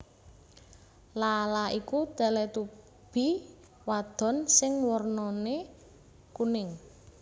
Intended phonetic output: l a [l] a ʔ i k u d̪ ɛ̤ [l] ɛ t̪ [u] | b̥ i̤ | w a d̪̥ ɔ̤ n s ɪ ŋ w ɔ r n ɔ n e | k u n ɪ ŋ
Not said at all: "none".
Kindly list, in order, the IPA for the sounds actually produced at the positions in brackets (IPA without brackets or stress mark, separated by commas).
l, l, u